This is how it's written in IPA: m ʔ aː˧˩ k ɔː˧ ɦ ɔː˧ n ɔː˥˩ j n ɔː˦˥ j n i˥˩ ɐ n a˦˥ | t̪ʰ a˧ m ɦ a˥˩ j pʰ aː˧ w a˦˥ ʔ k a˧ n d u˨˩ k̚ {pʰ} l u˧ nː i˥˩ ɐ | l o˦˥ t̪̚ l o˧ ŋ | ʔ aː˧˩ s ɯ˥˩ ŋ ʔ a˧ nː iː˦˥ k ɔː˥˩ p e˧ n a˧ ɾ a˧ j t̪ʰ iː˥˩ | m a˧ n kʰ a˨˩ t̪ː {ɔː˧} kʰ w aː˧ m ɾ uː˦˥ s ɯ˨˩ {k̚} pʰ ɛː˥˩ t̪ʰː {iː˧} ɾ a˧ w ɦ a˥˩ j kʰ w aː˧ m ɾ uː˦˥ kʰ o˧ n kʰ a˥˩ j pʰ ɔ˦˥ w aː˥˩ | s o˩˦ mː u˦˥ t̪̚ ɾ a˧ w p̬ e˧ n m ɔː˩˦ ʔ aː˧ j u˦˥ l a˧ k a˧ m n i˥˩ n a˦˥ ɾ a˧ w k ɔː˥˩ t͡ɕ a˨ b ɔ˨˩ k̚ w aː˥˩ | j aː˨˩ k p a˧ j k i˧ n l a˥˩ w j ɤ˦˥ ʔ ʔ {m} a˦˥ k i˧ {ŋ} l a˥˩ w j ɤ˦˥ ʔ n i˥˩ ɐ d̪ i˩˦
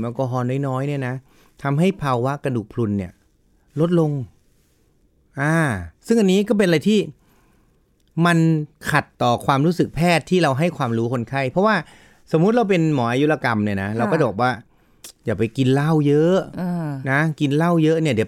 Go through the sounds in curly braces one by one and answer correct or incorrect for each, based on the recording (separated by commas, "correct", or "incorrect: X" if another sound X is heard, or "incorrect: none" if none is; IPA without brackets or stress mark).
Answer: correct, incorrect: ɔː˨˩, correct, incorrect: iː˥˩, incorrect: n, incorrect: n